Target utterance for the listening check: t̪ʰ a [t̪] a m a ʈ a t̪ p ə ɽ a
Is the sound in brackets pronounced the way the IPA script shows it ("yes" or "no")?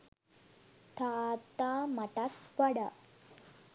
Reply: yes